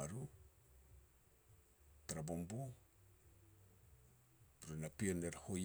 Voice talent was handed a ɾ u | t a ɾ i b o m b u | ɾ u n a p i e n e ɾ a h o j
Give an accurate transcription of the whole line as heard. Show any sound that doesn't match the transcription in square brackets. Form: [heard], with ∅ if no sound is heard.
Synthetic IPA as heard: a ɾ u | t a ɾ [a] b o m b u | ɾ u n a p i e n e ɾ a h o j